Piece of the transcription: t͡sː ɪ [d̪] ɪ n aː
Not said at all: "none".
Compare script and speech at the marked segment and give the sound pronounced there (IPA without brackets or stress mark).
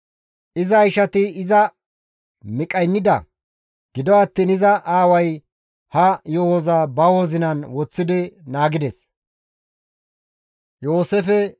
d̪